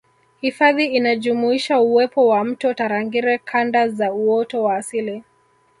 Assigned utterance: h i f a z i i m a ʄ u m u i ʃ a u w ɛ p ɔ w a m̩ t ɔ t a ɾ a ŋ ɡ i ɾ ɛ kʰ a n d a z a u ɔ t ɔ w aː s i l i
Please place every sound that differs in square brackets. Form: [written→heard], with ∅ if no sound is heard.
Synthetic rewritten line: h i f a [z→ð] i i [m→n] a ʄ u m u i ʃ a u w ɛ p ɔ w a m̩ t ɔ t a ɾ a ŋ ɡ i ɾ ɛ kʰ a n d a z a u ɔ t ɔ w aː s i l i